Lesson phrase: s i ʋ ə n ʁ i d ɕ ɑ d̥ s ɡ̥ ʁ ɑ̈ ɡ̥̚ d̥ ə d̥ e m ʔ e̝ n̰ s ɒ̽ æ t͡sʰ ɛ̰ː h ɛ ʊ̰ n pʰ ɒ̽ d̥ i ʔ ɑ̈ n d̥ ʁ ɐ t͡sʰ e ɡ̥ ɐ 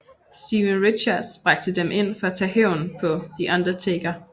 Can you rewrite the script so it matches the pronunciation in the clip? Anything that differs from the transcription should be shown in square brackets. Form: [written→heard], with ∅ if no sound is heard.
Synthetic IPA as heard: s i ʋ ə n ʁ i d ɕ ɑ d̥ s [ɡ̥→b̥] ʁ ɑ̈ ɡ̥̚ d̥ ə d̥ e m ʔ e̝ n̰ [s→f] ɒ̽ æ t͡sʰ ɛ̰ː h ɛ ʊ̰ n pʰ ɒ̽ d̥ i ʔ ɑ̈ n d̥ ʁ ɐ t͡sʰ e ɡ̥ ɐ